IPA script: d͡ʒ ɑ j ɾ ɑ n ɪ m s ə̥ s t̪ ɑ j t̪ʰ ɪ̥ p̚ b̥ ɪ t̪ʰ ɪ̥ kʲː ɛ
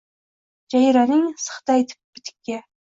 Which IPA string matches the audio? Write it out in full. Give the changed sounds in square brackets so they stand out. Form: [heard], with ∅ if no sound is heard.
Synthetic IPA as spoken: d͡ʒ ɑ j ɾ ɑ n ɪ [ŋ] s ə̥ [χ] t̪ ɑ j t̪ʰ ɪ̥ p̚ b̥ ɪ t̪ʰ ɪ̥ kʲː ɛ